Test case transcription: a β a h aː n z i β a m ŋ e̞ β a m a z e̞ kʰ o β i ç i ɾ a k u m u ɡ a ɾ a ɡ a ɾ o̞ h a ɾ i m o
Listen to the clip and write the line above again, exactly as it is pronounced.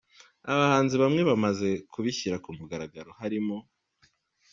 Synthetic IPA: a β a h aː n z i β a m ŋ e̞ β a m a z e̞ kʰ u β i ç i ɾ a k u m u ɡ a ɾ a ɡ a ɾ o̞ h a ɾ i m o